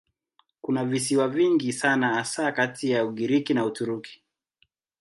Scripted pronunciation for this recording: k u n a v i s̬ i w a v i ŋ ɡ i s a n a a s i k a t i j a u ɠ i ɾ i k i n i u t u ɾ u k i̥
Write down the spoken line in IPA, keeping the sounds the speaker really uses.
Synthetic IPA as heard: k u n a v i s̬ i w a v i ŋ ɡ i s a n a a s a k a t i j a u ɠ i ɾ i k i n a u t u ɾ u k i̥